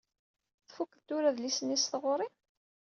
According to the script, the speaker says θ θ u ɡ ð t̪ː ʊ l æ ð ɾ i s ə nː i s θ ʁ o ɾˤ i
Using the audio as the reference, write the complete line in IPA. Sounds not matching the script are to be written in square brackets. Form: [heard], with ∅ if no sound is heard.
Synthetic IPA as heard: θ [f] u [k] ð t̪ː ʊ [ɾ] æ ð [l] i s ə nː i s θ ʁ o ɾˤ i